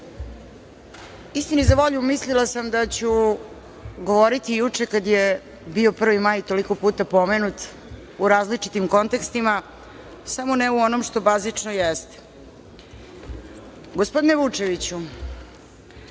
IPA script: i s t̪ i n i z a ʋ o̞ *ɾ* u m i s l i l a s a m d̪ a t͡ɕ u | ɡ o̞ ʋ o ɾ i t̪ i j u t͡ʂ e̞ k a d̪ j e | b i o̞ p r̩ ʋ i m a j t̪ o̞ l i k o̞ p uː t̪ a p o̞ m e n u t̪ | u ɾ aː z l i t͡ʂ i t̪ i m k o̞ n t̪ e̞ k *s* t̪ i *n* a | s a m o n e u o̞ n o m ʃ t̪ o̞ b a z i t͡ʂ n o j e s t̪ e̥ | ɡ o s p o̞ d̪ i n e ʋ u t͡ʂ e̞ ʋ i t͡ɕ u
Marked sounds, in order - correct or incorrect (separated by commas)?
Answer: incorrect, correct, incorrect